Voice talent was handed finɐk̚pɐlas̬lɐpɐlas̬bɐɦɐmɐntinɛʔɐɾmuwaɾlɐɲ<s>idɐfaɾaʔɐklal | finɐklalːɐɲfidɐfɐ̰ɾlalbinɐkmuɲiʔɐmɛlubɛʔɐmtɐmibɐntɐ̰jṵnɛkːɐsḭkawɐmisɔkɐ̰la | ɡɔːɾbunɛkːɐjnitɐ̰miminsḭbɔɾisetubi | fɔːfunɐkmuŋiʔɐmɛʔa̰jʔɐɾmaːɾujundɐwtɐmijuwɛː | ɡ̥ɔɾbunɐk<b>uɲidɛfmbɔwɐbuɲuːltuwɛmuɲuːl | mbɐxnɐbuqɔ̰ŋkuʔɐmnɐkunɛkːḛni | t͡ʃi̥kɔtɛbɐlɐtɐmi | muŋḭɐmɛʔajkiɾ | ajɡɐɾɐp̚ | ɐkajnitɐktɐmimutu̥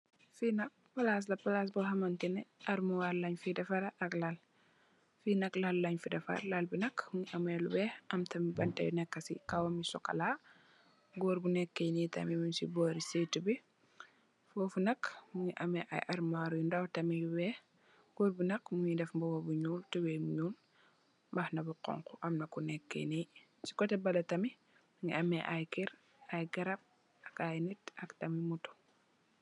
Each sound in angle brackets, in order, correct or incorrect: incorrect: f, incorrect: m

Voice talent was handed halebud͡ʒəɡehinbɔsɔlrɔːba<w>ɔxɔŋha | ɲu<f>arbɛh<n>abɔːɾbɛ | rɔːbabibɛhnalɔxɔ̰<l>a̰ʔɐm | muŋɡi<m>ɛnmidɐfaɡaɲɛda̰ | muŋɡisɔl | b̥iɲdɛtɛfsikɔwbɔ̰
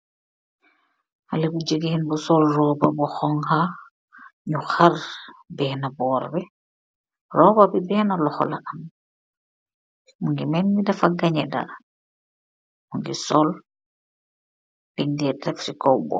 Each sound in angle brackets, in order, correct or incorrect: incorrect: b, incorrect: x, correct, correct, correct

